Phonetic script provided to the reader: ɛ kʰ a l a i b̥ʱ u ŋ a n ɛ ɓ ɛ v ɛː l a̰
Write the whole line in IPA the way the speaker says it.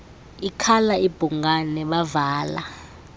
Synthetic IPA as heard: i kʰ a l a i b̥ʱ u ŋ a n ɛ ɓ a v aː l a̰